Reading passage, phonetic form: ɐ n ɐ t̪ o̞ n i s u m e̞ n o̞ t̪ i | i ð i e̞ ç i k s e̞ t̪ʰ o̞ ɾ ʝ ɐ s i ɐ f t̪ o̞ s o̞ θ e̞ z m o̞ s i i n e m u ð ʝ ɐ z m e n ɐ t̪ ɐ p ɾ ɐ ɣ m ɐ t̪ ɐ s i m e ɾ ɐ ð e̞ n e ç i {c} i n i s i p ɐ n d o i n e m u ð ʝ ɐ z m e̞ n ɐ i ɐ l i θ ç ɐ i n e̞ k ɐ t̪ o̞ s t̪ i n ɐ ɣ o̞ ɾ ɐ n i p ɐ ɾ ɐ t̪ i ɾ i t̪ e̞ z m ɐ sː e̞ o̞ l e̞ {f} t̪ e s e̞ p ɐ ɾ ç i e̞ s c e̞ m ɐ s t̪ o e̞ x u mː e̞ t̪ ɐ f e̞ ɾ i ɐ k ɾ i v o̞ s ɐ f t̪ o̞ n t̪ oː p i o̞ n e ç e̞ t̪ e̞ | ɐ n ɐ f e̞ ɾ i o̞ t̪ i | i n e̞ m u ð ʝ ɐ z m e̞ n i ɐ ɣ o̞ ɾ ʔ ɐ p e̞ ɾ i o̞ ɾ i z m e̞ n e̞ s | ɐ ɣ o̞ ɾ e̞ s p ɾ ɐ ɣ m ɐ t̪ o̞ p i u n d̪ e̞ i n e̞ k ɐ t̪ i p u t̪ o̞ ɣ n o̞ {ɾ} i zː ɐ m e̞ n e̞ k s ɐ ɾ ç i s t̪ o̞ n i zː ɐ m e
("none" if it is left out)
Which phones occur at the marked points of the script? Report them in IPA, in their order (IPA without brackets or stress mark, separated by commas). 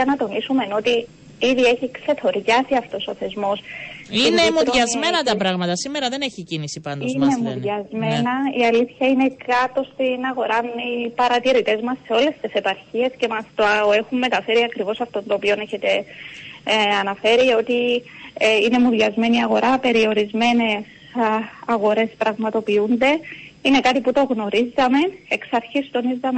c, s, ɾ